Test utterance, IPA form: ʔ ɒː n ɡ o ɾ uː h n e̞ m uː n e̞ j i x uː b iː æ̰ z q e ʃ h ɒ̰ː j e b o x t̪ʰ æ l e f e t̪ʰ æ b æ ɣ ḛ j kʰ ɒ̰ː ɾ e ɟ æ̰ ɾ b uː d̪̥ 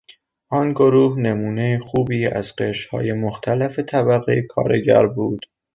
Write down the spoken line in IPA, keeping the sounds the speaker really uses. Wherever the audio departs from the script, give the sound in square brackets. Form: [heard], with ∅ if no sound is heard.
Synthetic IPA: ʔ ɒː n ɡ o ɾ uː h n e̞ m uː n e̞ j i x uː b iː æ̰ z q e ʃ h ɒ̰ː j e [m] o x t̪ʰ æ l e f e t̪ʰ æ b æ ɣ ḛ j kʰ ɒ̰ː ɾ e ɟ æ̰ ɾ b uː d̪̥